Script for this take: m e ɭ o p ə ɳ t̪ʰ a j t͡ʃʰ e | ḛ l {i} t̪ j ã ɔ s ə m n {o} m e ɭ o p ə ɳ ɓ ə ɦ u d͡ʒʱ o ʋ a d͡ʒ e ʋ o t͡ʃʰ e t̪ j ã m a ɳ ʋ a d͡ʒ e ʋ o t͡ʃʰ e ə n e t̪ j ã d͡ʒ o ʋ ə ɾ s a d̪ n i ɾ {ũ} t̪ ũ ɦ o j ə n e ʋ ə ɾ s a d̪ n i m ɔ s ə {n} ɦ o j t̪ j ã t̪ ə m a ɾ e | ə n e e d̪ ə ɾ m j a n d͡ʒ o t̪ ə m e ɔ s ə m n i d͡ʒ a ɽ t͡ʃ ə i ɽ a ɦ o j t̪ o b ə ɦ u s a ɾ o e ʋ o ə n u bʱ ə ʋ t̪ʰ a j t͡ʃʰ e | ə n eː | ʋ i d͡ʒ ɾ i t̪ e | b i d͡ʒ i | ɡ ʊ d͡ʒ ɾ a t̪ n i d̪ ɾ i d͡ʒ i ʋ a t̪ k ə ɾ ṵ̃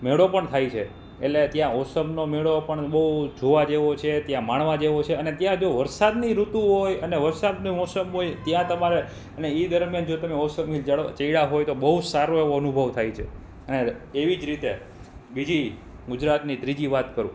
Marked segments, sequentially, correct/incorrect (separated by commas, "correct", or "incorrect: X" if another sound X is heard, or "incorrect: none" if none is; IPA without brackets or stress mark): incorrect: e, correct, incorrect: u, incorrect: m